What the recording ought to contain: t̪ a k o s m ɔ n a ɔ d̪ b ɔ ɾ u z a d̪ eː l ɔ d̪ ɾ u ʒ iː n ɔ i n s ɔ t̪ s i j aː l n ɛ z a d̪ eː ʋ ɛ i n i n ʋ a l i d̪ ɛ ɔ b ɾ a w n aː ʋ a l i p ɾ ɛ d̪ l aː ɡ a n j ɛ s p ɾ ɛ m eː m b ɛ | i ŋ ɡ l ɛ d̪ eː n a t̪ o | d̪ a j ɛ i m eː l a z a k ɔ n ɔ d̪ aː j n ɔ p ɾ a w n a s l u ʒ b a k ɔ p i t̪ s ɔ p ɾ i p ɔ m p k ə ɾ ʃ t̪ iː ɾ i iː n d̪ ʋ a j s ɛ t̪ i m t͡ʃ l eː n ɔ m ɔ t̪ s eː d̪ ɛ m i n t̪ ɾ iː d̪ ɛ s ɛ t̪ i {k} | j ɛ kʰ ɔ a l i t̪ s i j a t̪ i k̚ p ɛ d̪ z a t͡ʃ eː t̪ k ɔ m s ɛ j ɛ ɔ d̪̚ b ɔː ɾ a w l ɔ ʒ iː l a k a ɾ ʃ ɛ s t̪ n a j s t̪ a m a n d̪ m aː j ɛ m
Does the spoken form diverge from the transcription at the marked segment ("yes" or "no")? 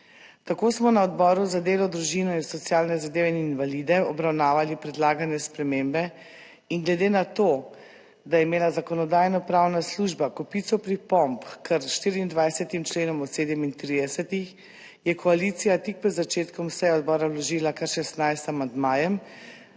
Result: yes